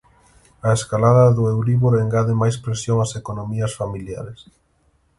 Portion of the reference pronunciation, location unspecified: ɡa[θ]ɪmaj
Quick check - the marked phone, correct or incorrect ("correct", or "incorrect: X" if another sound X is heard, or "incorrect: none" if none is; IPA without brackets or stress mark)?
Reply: incorrect: ð